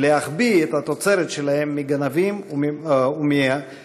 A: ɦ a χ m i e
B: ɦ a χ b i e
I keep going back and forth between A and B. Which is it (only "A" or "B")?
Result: B